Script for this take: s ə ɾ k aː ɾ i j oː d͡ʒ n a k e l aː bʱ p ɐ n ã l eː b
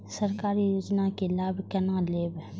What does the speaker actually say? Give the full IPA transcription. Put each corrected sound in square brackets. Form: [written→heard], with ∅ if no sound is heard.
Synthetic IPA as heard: s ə ɾ k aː ɾ i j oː d͡ʒ n a k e l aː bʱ [p→k] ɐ n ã l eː b